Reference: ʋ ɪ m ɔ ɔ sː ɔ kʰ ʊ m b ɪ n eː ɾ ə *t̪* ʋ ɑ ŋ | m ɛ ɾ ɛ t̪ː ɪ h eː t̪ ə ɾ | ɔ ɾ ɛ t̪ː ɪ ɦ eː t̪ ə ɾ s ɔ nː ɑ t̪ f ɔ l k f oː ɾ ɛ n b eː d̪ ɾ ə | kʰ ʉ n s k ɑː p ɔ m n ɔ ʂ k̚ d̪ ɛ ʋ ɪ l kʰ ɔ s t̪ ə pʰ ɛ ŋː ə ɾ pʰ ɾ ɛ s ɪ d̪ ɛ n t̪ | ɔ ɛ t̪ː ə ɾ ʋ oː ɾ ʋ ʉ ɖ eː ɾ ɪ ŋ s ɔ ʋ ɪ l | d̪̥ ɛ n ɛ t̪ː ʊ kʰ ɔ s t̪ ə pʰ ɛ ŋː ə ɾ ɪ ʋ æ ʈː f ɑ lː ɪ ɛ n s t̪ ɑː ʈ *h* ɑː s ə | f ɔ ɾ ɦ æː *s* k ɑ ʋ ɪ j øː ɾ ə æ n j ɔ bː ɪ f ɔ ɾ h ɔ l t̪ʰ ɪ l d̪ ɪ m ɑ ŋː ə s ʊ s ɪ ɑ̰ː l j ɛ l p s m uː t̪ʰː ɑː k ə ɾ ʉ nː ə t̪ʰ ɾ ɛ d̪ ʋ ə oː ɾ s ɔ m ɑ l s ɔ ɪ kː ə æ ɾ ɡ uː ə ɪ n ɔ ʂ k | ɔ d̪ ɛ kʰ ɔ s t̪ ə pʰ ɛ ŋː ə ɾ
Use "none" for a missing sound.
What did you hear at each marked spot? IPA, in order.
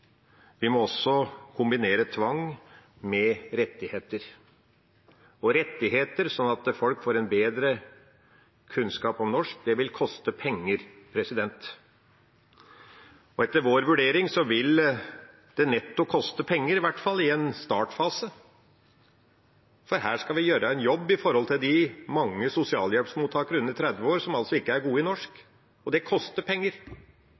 t̪ʰ, f, ʂ

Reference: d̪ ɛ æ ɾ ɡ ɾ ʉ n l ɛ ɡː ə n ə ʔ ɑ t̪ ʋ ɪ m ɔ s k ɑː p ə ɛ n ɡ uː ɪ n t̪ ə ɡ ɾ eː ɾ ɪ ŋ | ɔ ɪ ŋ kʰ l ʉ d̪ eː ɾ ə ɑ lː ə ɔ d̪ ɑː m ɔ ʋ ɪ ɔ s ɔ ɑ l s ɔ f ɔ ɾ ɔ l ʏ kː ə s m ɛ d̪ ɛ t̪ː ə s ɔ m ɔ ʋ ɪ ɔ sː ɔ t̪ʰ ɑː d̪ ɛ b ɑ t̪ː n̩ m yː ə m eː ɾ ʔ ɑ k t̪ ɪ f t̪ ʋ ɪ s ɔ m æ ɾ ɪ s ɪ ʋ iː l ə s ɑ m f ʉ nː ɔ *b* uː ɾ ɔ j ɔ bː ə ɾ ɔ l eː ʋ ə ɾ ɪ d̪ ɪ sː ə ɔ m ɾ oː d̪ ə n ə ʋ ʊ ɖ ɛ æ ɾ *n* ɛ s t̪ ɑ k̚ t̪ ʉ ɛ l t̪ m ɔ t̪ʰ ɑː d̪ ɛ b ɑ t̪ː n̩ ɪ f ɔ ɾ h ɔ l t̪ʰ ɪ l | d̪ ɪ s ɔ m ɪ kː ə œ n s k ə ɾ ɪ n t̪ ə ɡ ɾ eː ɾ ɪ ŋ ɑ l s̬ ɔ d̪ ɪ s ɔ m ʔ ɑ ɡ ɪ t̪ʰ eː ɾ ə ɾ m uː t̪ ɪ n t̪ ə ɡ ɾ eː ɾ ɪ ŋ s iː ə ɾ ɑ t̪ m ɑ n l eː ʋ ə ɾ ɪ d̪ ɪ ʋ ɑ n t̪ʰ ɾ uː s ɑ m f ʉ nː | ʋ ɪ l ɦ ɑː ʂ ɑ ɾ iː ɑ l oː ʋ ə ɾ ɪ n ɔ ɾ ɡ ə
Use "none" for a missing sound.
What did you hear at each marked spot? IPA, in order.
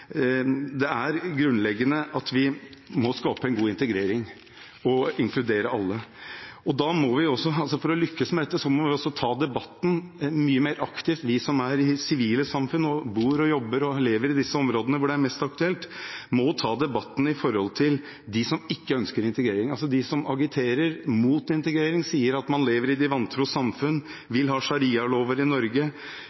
b, m

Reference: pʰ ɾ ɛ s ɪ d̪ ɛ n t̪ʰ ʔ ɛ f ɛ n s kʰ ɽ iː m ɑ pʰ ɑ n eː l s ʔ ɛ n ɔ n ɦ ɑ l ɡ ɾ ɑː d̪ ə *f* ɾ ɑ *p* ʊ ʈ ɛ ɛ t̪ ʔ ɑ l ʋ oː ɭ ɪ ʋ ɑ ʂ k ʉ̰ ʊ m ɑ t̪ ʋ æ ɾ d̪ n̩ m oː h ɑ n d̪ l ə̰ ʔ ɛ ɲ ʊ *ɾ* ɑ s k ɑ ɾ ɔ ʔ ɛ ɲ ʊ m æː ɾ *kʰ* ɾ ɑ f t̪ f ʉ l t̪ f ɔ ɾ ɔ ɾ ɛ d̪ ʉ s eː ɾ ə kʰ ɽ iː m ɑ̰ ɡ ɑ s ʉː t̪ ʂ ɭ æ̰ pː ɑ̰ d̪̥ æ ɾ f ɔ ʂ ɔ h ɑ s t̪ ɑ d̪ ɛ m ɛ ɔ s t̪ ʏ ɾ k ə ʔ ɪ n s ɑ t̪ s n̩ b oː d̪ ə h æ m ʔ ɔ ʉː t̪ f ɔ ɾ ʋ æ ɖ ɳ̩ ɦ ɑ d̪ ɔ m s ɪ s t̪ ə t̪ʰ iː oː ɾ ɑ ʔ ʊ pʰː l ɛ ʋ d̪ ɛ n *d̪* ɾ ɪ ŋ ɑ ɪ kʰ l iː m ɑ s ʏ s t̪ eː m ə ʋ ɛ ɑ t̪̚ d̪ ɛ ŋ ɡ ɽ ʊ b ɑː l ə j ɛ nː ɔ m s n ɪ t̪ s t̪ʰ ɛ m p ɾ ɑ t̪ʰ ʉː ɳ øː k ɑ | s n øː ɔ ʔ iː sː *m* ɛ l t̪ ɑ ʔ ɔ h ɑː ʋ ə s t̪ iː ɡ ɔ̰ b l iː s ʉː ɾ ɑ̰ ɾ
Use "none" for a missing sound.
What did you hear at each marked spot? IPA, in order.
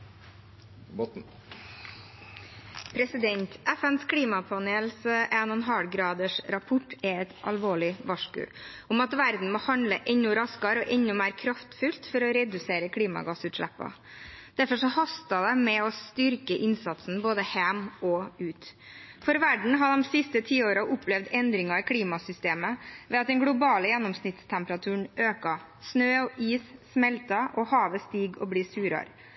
ʂ, pʰ, ɾ, kʰ, d̪, m

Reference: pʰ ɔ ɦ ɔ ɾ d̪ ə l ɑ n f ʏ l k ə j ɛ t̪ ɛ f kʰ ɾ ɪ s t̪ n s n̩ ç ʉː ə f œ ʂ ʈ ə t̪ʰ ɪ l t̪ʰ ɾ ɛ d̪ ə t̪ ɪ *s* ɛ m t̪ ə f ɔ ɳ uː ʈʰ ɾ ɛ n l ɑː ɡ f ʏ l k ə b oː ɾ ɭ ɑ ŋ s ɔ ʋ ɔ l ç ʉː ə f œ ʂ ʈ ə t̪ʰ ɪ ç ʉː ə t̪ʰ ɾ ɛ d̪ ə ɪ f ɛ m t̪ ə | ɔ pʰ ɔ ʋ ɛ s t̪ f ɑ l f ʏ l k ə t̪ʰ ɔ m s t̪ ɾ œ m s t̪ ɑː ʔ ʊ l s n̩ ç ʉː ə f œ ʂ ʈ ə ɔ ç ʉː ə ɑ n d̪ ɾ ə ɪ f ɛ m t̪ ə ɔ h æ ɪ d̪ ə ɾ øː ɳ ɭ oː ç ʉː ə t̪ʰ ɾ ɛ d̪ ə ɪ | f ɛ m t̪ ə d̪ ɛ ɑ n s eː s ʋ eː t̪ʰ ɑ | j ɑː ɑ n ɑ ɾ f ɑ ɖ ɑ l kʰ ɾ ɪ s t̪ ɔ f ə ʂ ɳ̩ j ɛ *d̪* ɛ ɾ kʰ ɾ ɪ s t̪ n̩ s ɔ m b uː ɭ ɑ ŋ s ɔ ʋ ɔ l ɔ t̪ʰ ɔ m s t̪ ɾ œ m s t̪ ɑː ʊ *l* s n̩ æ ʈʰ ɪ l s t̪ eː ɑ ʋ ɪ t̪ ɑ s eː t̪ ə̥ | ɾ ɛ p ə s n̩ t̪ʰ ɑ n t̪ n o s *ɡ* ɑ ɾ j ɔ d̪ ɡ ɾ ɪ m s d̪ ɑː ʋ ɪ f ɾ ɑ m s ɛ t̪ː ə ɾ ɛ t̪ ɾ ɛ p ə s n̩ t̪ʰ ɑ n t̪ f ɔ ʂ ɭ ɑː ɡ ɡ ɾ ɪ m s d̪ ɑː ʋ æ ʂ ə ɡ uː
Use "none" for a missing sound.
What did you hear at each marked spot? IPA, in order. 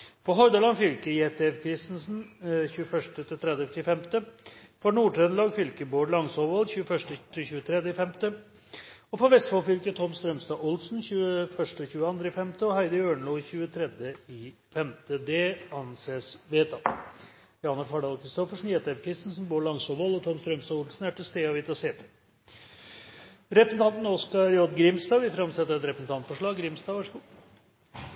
f, t̪, l, k

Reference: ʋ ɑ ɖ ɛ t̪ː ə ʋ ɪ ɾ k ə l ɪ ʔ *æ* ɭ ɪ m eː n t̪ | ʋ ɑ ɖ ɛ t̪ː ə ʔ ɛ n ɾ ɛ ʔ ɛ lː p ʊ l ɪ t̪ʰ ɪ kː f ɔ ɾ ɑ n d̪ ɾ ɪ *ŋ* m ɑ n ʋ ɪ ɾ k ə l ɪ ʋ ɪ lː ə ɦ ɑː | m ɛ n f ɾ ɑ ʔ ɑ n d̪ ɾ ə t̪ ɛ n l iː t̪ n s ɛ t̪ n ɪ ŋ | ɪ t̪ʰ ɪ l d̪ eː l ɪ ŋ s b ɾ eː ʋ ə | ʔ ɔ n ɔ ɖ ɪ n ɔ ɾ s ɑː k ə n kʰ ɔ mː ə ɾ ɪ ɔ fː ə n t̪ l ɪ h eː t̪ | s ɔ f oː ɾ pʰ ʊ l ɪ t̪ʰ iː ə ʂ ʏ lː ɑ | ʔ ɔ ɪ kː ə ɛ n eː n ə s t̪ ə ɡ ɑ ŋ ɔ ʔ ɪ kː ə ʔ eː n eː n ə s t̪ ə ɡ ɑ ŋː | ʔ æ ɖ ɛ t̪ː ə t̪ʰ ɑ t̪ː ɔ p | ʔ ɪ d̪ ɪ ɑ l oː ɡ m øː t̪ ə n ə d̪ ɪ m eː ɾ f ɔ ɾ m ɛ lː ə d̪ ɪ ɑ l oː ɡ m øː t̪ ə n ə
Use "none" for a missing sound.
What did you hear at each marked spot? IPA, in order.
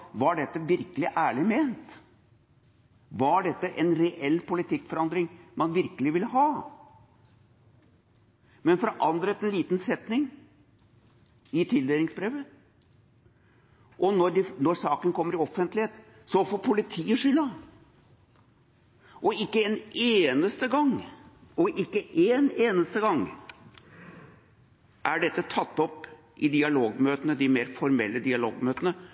æː, ŋ

